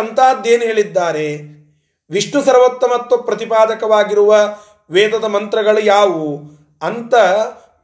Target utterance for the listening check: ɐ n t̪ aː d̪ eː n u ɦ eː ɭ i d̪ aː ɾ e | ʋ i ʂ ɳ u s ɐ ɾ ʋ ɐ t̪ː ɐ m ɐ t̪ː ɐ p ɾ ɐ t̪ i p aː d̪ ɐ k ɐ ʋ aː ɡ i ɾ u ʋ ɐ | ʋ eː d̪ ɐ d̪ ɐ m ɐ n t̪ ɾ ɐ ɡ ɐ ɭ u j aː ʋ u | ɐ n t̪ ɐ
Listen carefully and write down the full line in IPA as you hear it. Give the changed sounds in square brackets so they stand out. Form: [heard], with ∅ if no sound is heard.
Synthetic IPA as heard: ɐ n t̪ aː d̪ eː n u ɦ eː ɭ i [d̪ː] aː ɾ e | ʋ i ʂ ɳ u s ɐ ɾ ʋ ɐ t̪ː ɐ m ɐ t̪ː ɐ p ɾ ɐ t̪ i p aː d̪ ɐ k ɐ ʋ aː ɡ i ɾ u ʋ ɐ | ʋ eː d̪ ɐ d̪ ɐ m ɐ n t̪ ɾ ɐ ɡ ɐ ɭ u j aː ʋ u | ɐ n t̪ ɐ